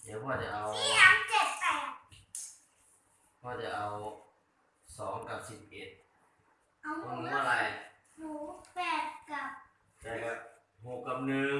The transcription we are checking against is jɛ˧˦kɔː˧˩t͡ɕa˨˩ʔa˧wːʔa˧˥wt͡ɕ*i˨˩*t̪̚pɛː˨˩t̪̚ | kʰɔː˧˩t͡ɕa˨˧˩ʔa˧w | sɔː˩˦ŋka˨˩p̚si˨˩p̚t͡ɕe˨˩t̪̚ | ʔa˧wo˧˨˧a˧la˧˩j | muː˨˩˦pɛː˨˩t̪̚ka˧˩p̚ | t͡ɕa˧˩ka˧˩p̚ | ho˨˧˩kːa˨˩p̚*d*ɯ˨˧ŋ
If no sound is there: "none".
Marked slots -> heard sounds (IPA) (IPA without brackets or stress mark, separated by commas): e˨˩, n